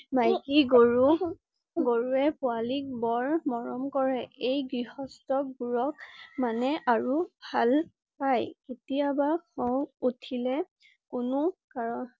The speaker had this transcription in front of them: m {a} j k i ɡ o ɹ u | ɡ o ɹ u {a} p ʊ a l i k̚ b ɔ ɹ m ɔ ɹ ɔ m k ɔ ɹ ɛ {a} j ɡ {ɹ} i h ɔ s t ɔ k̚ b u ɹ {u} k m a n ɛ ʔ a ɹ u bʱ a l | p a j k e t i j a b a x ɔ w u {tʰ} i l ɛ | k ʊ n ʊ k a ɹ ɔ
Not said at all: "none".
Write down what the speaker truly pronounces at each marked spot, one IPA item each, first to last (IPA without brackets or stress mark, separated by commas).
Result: a, ɛ, e, ɹ, ɔ, tʰ